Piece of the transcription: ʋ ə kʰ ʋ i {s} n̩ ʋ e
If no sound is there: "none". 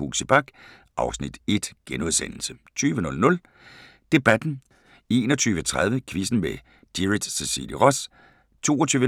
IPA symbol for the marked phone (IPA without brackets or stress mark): s